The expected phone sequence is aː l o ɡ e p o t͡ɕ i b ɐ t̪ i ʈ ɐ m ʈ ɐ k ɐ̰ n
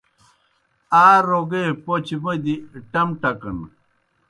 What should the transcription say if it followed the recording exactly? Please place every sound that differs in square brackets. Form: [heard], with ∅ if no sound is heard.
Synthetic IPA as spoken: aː [ɾ] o ɡ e p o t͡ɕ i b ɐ [d̪] i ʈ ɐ m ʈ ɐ k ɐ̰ n